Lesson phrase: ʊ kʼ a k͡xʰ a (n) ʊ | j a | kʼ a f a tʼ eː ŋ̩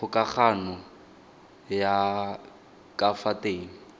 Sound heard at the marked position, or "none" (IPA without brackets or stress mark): n